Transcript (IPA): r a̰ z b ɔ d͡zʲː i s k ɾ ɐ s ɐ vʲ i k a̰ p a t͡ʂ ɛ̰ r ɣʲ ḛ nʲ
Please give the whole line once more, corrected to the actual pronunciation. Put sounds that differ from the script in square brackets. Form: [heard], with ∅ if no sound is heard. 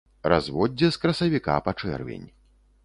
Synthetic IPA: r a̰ z [v] ɔ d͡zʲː [ɛ] s k ɾ ɐ s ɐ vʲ i k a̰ p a t͡ʂ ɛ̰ r [vʲ] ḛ nʲ